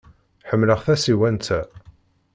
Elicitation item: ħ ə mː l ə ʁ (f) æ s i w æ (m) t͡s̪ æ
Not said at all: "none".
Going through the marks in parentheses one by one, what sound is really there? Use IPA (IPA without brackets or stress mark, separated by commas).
θ, n